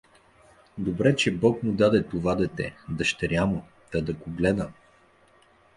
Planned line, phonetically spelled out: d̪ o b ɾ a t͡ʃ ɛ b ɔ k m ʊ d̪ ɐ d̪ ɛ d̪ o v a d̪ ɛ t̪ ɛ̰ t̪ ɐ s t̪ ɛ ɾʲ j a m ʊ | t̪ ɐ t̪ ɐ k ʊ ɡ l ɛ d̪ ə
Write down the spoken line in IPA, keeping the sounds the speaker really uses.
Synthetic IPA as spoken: d̪ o b ɾ ɛ t͡ʃ ɛ b ɔ k m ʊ d̪ a d̪ ɛ t̪ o v a d̪ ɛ t̪ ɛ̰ d̪ ɐ ʃ t̪ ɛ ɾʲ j a m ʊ | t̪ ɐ d̪ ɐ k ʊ ɡ l ɛ d̪ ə